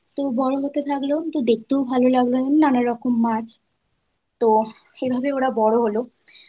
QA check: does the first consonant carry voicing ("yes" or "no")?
no